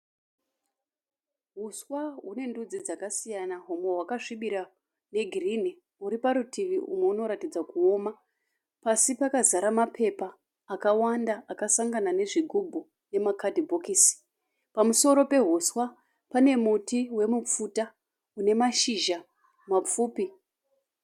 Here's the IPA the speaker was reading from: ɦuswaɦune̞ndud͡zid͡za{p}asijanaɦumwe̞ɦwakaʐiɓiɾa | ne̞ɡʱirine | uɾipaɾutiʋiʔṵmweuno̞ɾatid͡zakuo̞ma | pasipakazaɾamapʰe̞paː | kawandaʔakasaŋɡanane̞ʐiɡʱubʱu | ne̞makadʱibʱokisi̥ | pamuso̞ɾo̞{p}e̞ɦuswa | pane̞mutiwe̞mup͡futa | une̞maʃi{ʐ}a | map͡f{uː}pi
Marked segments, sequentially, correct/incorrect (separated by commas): incorrect, correct, incorrect, correct